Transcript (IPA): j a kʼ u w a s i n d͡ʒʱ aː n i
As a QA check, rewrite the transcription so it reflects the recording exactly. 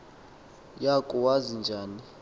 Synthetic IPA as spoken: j a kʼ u w a z i n d͡ʒʱ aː n i